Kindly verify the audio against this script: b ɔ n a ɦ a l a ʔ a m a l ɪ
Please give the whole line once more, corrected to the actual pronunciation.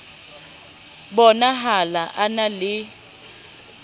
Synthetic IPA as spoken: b ɔ n a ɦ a l a ʔ a n a l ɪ